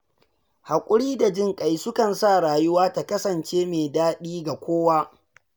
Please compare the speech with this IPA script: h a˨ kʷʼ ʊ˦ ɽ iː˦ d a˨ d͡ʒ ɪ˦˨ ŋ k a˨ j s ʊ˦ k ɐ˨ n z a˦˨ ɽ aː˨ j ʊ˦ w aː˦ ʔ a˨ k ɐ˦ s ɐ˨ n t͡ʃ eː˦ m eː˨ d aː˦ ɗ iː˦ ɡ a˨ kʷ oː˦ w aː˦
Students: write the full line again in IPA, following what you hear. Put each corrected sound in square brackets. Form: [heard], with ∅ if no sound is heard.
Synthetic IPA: h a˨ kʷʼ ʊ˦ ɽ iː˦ d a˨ d͡ʒ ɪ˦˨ ŋ [kʼ] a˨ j s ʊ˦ k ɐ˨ n [s] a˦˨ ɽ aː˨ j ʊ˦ w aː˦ [t] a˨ k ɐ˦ s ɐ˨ n t͡ʃ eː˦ m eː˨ d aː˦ ɗ iː˦ ɡ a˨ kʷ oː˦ w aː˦